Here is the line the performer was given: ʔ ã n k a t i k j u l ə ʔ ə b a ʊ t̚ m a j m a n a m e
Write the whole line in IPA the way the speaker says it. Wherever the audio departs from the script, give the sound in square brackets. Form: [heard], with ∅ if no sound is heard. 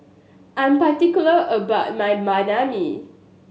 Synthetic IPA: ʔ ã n [p] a t i k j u l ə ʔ ə b a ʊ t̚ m a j m a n a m [i]